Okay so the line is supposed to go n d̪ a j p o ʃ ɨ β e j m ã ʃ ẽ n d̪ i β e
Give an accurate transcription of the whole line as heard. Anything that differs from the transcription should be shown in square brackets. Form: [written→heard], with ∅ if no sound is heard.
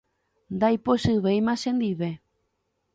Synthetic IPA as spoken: n d̪ a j p o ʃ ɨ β e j m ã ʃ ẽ n d̪ i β e